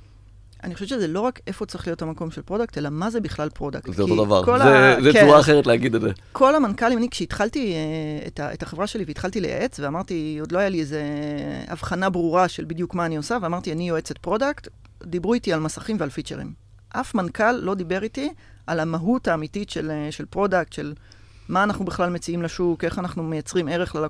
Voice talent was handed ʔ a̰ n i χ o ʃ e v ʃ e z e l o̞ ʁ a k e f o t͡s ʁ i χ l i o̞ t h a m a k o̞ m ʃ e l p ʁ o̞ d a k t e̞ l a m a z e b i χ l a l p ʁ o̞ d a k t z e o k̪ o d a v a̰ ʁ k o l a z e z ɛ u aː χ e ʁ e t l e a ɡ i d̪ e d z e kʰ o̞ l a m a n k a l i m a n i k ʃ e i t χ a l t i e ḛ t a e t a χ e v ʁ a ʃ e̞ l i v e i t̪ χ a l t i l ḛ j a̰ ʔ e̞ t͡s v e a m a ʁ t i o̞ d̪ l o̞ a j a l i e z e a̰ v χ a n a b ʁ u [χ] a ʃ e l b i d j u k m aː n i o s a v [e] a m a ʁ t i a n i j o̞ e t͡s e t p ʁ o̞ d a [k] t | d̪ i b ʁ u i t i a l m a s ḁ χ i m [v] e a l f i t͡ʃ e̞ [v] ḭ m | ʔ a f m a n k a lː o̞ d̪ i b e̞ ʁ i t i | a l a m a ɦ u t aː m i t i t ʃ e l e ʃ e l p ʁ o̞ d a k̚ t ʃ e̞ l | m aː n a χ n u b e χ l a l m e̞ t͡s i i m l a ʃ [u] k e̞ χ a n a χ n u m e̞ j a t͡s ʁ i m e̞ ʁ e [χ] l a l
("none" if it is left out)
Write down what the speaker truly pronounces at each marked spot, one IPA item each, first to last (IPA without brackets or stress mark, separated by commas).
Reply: ʁ, e, k, v, ʁ, u, χ